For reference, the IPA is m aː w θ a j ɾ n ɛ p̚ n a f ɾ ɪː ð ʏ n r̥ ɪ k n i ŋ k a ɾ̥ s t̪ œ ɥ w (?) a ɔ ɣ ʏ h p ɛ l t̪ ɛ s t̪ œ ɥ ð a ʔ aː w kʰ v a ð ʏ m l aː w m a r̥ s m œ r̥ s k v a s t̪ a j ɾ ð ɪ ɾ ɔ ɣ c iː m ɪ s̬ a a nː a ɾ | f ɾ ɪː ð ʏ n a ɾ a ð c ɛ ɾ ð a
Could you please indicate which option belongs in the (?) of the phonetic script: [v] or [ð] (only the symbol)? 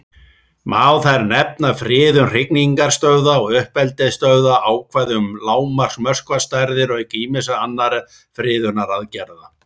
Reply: ð